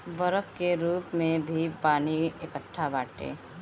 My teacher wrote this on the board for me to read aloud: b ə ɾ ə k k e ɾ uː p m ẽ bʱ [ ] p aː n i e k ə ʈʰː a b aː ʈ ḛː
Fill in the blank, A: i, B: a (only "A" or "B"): A